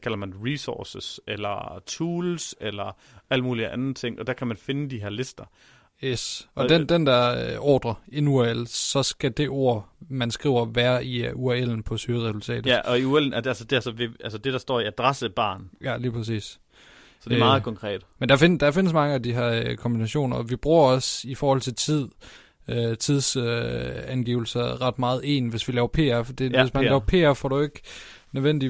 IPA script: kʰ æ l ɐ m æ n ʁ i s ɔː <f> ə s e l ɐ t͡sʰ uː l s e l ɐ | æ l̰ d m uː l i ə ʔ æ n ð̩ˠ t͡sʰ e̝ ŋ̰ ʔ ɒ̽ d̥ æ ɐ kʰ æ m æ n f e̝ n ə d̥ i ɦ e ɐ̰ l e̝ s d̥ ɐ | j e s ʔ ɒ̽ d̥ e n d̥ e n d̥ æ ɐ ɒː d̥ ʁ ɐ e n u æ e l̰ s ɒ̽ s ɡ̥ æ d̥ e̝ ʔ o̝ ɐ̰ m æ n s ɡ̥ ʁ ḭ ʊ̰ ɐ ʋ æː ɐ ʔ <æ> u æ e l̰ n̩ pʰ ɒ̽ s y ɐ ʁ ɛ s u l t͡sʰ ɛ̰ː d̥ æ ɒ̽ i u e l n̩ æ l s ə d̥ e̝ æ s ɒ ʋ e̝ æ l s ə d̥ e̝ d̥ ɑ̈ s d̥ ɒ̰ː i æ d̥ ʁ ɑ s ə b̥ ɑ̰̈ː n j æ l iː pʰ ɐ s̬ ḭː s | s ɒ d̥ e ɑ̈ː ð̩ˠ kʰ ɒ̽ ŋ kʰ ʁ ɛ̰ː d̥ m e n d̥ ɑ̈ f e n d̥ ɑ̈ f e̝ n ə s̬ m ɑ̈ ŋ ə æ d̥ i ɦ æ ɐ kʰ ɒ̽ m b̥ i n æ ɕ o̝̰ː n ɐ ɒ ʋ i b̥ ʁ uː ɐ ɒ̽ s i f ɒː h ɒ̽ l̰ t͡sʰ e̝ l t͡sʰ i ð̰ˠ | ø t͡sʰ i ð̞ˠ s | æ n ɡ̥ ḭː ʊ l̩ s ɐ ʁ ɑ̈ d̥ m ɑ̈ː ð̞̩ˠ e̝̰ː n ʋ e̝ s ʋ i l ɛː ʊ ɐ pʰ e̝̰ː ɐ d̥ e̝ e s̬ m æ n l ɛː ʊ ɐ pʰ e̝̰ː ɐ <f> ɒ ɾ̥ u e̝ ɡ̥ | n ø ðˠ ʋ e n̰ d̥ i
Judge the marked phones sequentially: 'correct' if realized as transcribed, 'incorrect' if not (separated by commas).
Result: incorrect, incorrect, correct